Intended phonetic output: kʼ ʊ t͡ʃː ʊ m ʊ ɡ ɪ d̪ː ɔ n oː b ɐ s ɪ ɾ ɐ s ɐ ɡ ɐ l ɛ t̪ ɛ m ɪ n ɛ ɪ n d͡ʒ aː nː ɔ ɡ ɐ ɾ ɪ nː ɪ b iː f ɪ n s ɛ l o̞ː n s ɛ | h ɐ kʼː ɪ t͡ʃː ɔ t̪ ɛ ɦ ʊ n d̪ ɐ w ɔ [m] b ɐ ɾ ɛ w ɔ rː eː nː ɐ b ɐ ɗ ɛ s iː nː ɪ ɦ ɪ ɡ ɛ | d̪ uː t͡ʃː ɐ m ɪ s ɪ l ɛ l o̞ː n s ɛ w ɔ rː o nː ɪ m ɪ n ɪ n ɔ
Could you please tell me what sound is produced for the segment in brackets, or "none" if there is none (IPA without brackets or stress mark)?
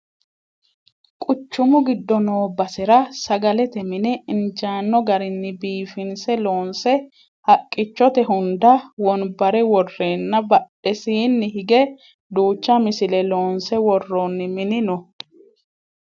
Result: n